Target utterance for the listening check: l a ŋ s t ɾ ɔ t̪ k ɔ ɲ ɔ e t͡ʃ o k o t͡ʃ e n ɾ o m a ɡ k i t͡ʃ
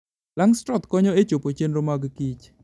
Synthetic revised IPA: l a ŋ s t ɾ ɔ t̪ k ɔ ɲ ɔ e t͡ʃ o p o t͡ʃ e n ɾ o m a ɡ k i t͡ʃ